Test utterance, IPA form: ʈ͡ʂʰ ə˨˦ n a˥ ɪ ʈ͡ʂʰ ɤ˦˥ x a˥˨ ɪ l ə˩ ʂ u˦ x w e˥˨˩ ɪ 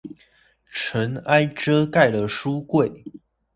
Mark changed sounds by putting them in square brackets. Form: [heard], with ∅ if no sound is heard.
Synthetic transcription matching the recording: ʈ͡ʂʰ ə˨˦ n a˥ ɪ [ʈ͡ʂ] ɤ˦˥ [k] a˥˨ ɪ l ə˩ ʂ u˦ [k] w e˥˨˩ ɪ